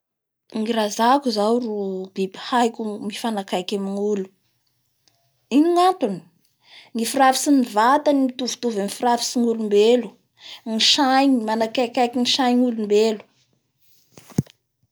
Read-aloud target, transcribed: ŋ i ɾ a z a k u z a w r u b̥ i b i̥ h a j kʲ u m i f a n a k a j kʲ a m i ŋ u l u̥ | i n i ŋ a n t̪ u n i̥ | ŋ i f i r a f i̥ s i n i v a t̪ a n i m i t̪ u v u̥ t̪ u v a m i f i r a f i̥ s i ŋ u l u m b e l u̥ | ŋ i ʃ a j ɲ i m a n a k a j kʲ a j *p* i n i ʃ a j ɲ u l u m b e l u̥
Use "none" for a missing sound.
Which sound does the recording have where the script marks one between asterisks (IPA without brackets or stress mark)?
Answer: k